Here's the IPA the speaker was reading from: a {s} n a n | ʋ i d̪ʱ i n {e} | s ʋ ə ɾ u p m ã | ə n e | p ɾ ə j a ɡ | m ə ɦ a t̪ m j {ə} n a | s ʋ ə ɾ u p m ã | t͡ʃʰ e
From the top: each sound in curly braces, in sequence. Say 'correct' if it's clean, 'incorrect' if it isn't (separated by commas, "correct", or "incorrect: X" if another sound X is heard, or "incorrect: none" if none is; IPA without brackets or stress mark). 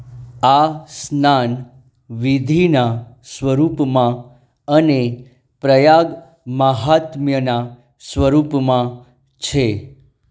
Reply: correct, incorrect: a, correct